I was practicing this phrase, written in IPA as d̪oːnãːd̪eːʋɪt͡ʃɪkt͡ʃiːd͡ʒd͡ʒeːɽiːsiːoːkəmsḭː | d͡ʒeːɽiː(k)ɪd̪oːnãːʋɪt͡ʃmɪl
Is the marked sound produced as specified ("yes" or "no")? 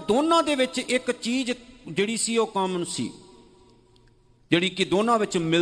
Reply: yes